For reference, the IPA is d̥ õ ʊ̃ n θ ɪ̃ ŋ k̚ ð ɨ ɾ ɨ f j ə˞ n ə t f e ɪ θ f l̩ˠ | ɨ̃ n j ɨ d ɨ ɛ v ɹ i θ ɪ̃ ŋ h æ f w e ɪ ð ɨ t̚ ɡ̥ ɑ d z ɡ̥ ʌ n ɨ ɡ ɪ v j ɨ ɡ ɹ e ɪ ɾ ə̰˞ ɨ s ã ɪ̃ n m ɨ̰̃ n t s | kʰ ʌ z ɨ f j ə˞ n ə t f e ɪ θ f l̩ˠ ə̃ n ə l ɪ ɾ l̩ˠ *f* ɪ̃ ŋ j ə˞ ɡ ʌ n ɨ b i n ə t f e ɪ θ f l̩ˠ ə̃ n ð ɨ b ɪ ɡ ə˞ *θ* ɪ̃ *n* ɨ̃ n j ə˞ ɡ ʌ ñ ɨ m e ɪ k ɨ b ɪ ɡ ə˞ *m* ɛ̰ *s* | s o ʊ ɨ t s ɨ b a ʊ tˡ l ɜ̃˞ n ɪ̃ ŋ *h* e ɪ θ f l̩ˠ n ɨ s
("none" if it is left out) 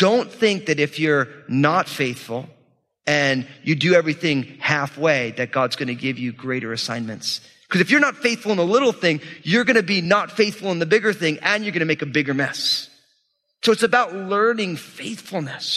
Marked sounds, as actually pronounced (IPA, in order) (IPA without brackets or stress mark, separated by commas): θ, θ, ŋ, m, s, f